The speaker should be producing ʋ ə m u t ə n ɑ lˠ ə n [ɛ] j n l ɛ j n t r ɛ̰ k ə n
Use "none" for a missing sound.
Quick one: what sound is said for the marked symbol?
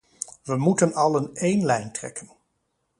e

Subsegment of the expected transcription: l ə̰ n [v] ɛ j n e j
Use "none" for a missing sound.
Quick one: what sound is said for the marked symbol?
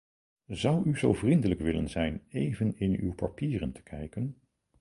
z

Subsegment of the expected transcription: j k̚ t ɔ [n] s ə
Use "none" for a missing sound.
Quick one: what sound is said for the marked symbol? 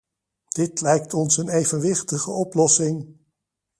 n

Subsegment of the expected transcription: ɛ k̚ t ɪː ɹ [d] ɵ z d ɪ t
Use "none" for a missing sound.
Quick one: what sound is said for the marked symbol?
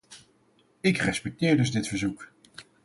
d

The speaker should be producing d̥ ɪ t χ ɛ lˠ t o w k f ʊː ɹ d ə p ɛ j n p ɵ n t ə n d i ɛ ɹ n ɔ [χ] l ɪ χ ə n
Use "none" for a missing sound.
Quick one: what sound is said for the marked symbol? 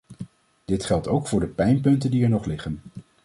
χ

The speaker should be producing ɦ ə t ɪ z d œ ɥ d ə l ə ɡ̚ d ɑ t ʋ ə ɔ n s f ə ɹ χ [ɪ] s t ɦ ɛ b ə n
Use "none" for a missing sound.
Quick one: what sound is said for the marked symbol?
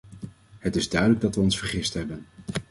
ɪ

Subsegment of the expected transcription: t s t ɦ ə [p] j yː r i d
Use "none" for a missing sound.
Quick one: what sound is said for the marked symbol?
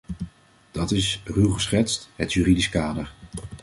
t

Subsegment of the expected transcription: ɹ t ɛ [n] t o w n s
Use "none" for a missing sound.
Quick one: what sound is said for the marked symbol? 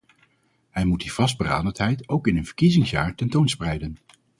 n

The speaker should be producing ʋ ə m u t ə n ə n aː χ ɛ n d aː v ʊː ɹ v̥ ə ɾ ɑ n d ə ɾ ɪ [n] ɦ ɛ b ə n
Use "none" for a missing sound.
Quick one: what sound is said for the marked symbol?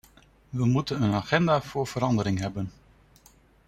ŋ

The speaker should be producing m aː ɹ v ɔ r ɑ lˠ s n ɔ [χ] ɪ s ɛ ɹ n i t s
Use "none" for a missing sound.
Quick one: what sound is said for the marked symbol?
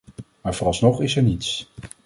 χ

